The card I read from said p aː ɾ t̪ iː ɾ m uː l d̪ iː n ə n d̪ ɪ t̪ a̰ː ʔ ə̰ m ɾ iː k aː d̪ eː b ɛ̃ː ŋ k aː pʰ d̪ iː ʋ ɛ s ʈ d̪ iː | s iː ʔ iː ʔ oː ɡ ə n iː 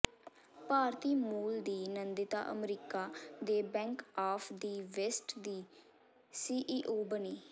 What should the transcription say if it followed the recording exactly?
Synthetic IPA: p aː ɾ t̪ iː m uː l d̪ iː n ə n d̪ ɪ t̪ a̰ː ʔ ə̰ m ɾ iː k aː d̪ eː b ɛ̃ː ŋ k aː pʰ d̪ iː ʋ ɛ s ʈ d̪ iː | s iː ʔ iː ʔ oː b ə n iː